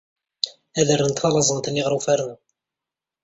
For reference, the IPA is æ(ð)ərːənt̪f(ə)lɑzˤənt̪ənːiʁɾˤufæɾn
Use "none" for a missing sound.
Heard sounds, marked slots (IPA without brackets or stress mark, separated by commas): ð, ɑ